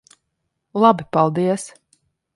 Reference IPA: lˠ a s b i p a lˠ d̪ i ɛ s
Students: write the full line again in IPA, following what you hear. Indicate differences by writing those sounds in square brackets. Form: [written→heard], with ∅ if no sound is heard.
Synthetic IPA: lˠ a [s→∅] b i p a lˠ d̪ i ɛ s